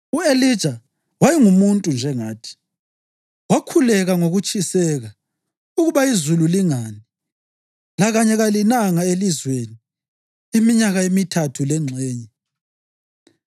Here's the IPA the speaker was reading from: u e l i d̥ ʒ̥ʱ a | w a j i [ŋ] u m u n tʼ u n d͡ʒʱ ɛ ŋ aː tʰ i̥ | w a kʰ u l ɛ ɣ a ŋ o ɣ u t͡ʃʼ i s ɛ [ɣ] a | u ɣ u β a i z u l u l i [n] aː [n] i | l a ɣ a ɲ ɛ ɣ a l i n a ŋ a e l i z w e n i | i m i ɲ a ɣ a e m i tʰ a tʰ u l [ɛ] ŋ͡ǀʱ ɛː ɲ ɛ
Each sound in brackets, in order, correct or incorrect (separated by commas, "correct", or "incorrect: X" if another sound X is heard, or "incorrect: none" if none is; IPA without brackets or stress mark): correct, correct, incorrect: ŋ, correct, correct